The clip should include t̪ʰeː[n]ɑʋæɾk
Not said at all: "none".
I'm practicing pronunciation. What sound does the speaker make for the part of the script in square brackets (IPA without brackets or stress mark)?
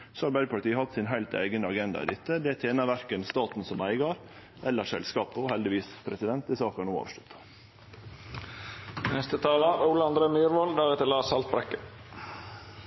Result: n